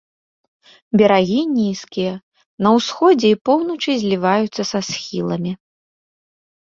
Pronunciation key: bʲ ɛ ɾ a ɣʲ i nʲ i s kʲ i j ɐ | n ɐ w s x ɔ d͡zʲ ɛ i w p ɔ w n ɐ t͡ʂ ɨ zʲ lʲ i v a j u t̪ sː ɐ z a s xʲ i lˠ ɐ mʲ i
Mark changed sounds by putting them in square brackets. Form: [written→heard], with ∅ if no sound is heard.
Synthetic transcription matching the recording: bʲ ɛ ɾ a ɣʲ i nʲ i s kʲ i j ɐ | n ɐ w s x ɔ d͡zʲ ɛ i [w→∅] p ɔ w n ɐ t͡ʂ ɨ zʲ lʲ i v a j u t̪ sː ɐ [z→s] a s xʲ i lˠ ɐ mʲ i

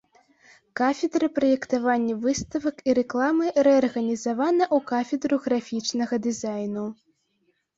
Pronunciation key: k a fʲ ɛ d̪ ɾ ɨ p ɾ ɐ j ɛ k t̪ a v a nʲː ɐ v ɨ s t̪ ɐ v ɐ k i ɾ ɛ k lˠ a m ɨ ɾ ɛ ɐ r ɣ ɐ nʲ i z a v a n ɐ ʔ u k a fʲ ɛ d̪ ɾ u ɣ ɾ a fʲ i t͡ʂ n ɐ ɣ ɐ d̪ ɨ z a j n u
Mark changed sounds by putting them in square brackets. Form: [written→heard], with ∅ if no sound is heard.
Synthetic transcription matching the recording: k a fʲ ɛ d̪ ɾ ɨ p ɾ ɐ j ɛ k t̪ a v a nʲː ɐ v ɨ s t̪ ɐ v ɐ k i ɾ ɛ k lˠ a m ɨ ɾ ɛ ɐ r ɣ ɐ nʲ i z a v a n ɐ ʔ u k a fʲ ɛ d̪ ɾ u ɣ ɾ a fʲ i t͡ʂ n ɐ ɣ ɐ d̪ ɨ z a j n u

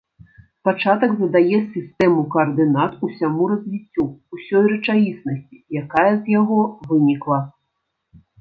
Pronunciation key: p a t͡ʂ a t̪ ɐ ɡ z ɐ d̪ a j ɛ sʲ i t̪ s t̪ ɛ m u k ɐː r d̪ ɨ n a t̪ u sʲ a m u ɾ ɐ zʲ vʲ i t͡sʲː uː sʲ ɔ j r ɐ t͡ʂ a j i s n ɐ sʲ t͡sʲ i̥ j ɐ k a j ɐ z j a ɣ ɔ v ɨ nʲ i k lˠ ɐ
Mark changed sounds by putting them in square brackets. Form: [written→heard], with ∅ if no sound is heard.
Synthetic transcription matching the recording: p a t͡ʂ a t̪ ɐ ɡ z ɐ d̪ a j ɛ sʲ i [t̪→∅] s t̪ ɛ m u k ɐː r d̪ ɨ n a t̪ u sʲ a m u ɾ ɐ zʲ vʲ i t͡sʲː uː sʲ ɔ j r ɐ t͡ʂ a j i s n ɐ sʲ t͡sʲ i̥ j [ɐ→a] k a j ɐ z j a ɣ ɔ v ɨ nʲ i k lˠ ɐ

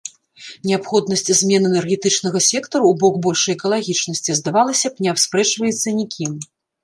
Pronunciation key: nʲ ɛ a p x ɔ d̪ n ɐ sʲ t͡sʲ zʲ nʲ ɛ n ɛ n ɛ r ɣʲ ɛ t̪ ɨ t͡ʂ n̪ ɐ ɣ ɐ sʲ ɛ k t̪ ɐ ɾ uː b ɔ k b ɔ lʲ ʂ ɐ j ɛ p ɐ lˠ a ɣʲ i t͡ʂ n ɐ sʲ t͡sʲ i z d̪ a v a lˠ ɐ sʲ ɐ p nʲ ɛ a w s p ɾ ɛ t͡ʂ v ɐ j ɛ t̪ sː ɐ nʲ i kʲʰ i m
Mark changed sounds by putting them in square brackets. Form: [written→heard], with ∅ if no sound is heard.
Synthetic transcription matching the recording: nʲ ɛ a p x ɔ d̪ n ɐ sʲ t͡sʲ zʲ [nʲ→mʲ] ɛ n ɛ n ɛ r ɣʲ ɛ t̪ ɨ t͡ʂ n̪ ɐ ɣ ɐ sʲ ɛ k t̪ ɐ ɾ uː b ɔ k b ɔ lʲ ʂ ɐ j ɛ [p→k] ɐ lˠ a ɣʲ i t͡ʂ n ɐ sʲ t͡sʲ i z d̪ a v a lˠ ɐ sʲ ɐ p nʲ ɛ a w s p ɾ ɛ t͡ʂ v ɐ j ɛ t̪ sː ɐ nʲ i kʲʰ i m

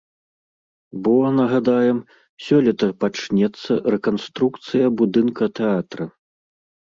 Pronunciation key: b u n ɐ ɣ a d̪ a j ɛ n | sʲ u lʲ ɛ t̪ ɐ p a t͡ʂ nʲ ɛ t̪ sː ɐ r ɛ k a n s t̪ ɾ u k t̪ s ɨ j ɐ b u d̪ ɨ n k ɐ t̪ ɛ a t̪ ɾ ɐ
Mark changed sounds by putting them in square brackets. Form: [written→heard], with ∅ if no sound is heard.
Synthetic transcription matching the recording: b [u→ɔ] n ɐ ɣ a d̪ a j ɛ [n→m] | sʲ [u→ɔ] lʲ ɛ t̪ ɐ p a t͡ʂ nʲ ɛ t̪ sː ɐ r ɛ k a n s t̪ ɾ u k t̪ s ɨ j ɐ b u d̪ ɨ n k ɐ t̪ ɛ a t̪ ɾ ɐ

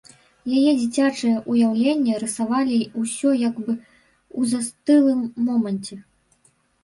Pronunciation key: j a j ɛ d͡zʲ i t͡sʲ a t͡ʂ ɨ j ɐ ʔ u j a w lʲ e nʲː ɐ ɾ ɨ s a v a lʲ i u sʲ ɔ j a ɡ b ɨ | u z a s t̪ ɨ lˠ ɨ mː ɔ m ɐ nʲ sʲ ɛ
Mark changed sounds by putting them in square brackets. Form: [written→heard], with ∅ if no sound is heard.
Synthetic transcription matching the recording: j a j ɛ d͡zʲ i t͡sʲ a t͡ʂ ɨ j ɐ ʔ u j a w lʲ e nʲː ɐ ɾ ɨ s a v a lʲ i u sʲ ɔ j a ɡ b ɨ | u z a s t̪ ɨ lˠ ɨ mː ɔ m ɐ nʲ [sʲ→t͡sʲ] ɛ

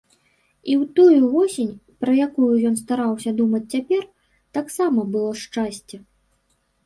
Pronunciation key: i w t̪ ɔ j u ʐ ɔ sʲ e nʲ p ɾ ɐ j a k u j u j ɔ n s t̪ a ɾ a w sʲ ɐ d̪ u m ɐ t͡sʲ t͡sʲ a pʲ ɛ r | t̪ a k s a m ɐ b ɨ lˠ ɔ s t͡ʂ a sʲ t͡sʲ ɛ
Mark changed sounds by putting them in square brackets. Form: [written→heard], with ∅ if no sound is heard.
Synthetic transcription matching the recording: i w t̪ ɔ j u [ʐ→v] ɔ sʲ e nʲ p ɾ ɐ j a k u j u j ɔ n s t̪ a ɾ a w sʲ ɐ d̪ u m ɐ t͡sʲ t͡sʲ a pʲ ɛ r | t̪ a k s a m ɐ b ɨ lˠ ɔ [s→ʂ] t͡ʂ a sʲ t͡sʲ ɛ

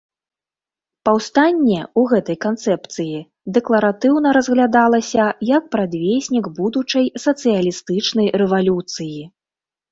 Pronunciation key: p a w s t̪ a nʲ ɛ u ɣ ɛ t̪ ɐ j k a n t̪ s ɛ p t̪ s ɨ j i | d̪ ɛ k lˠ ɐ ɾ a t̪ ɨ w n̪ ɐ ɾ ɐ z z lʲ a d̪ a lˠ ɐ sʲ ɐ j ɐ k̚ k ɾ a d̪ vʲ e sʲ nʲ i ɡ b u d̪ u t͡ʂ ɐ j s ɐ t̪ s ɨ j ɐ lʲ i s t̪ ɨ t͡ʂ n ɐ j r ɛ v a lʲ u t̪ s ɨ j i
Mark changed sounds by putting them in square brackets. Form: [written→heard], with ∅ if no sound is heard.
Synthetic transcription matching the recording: p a w s t̪ a [nʲ→nʲː] ɛ u ɣ ɛ t̪ ɐ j k a n t̪ s ɛ p t̪ s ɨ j i | d̪ ɛ k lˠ ɐ ɾ a t̪ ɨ w n̪ ɐ ɾ ɐ z [z→ɣ] lʲ a d̪ a lˠ ɐ sʲ ɐ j ɐ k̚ [k→p] ɾ a d̪ vʲ e sʲ nʲ i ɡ b u d̪ u t͡ʂ ɐ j s ɐ t̪ s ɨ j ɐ lʲ i s t̪ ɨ t͡ʂ n ɐ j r ɛ v a lʲ u t̪ s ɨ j i

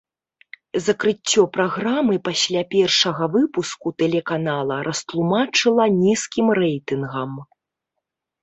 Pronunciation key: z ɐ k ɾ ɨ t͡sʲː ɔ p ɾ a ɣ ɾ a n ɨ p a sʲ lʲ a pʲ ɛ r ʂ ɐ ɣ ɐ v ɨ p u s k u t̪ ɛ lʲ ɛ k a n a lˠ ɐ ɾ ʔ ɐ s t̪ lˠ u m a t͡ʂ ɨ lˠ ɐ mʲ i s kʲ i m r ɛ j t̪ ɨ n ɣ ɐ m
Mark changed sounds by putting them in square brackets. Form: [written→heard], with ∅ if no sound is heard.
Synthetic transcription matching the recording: z ɐ k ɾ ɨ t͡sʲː ɔ p ɾ a ɣ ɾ a [n→m] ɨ p a sʲ lʲ a pʲ ɛ r ʂ ɐ ɣ ɐ v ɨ p u s k u t̪ ɛ lʲ ɛ k a n a lˠ ɐ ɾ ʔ ɐ s t̪ lˠ u m a t͡ʂ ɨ lˠ ɐ [mʲ→nʲ] i s kʲ i m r ɛ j t̪ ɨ n ɣ ɐ m

